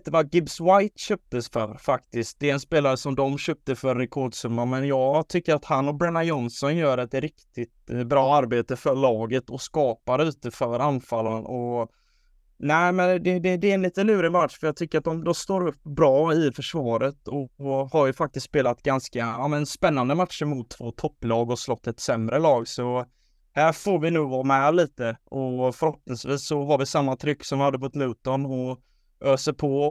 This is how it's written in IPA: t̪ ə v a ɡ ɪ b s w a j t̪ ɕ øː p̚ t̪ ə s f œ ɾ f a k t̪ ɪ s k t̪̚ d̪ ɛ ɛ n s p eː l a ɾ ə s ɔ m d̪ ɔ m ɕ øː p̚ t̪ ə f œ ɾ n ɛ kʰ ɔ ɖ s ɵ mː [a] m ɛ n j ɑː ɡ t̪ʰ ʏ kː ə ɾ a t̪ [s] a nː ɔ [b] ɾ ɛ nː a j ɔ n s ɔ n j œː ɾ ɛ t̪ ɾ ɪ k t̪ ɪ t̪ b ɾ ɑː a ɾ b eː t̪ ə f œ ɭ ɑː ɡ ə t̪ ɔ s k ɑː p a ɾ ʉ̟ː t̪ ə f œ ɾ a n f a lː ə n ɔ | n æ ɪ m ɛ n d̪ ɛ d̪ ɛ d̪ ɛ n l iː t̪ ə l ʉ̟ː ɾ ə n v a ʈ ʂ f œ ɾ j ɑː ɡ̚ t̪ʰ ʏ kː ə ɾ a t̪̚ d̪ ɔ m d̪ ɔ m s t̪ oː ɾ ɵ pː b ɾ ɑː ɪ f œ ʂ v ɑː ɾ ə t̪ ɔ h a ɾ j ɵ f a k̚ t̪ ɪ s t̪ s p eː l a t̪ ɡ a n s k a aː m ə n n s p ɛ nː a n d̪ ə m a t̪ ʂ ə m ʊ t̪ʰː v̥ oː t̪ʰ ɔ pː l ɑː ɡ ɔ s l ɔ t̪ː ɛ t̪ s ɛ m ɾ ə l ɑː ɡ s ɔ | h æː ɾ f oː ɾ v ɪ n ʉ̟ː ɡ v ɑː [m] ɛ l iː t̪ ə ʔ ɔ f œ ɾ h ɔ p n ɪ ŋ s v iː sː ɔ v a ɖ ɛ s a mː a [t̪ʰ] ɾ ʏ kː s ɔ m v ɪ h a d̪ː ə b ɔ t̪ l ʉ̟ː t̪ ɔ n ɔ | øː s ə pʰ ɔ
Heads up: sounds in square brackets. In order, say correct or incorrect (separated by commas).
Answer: correct, incorrect, correct, correct, correct